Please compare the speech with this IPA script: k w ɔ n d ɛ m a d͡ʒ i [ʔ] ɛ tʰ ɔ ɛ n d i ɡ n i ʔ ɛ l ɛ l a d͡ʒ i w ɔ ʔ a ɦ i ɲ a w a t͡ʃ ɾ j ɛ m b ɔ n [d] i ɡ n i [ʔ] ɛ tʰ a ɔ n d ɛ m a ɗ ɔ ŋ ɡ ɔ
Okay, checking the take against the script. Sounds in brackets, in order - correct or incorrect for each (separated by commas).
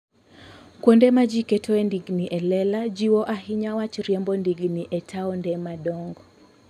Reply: incorrect, correct, correct